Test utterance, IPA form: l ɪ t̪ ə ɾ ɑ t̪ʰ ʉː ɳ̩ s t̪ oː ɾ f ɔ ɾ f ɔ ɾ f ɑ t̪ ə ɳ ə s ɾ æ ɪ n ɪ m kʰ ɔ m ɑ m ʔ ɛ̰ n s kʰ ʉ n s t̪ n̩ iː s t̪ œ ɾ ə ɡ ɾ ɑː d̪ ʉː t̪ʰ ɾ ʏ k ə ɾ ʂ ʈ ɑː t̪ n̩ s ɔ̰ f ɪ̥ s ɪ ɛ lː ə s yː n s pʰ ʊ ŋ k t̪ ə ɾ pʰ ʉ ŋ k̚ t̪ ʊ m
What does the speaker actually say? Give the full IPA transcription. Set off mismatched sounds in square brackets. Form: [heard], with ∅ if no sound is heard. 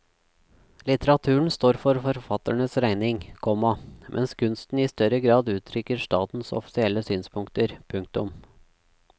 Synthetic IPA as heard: l ɪ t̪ ə ɾ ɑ t̪ʰ ʉː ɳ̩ s t̪ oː ɾ f ɔ ɾ f ɔ ɾ f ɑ t̪ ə ɳ ə s ɾ æ ɪ n ɪ [ŋ] kʰ ɔ m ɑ m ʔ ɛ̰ n s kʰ ʉ n s t̪ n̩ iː s t̪ œ ɾ ə ɡ ɾ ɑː d̪ ʉː t̪ʰ ɾ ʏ k ə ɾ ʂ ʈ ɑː t̪ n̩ s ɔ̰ f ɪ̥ s ɪ ɛ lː ə s yː n s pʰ ʊ ŋ k t̪ ə ɾ pʰ ʉ ŋ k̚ t̪ ʊ m